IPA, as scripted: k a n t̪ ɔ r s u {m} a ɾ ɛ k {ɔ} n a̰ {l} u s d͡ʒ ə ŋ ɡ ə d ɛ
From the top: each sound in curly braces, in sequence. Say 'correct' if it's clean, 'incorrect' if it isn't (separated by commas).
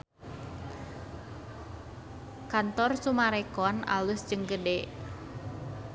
correct, correct, correct